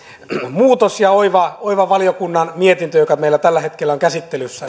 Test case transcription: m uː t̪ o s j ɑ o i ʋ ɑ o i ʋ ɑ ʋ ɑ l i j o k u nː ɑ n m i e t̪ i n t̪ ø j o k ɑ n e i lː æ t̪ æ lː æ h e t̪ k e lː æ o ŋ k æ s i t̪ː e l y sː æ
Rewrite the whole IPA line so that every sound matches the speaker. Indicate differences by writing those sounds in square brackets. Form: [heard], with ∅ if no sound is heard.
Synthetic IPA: m uː t̪ o s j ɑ o i ʋ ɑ o i ʋ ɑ ʋ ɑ l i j o k u nː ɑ n m i e t̪ i n t̪ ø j o k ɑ [m] e i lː æ t̪ æ lː æ h e t̪ k e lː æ o ŋ k æ s i t̪ː e l y sː æ